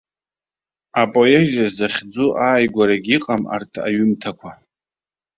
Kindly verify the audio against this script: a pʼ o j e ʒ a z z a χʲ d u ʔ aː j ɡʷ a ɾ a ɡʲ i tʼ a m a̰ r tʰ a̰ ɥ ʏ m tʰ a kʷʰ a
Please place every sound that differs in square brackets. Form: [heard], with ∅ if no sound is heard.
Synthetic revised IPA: a pʼ o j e ʒ a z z a χʲ [d͡z] u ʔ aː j ɡʷ a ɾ a ɡʲ i [qʼ] a m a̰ r tʰ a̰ ɥ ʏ m tʰ a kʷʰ a